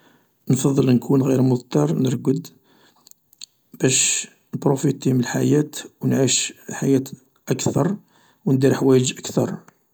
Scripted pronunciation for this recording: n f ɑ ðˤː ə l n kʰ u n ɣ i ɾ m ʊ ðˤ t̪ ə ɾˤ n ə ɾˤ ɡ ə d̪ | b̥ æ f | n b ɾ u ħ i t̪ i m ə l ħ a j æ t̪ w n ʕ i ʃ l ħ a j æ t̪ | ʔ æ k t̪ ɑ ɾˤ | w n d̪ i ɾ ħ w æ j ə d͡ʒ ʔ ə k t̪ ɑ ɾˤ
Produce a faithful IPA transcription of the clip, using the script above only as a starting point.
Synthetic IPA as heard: n f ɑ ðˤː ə l n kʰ u n ɣ i ɾ m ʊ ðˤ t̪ ɑ ɾˤ n ə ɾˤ ɡ ə d̪ | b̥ æ ʃ | n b ɾ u f i t̪ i m ə l ħ a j æ t̪ w n ʕ i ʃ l ħ a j æ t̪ | ʔ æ k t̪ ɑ ɾˤ | w n d̪ i ɾ ħ w æ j ə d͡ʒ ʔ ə k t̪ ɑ ɾˤ